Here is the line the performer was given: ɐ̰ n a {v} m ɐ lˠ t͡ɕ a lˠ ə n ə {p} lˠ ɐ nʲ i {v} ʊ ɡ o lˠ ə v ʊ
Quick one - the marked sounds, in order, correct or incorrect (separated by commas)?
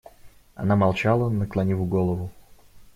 incorrect, incorrect, correct